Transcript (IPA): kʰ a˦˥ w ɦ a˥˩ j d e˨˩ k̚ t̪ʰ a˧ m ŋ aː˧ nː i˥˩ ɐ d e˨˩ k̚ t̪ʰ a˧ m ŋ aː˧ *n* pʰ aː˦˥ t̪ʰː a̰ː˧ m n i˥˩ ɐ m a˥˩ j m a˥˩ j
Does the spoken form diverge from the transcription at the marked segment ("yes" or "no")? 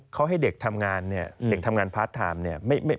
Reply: no